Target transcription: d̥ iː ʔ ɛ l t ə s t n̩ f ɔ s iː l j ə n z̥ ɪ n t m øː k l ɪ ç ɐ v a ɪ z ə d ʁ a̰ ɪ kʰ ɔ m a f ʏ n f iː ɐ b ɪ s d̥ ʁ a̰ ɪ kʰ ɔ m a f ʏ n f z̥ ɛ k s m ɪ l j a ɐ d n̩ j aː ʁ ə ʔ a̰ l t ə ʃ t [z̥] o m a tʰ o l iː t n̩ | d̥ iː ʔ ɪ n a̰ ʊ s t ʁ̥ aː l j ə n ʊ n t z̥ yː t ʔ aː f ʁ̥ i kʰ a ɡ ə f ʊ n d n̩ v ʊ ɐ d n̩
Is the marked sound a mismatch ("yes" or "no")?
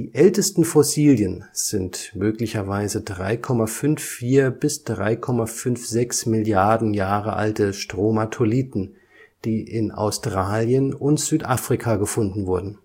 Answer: yes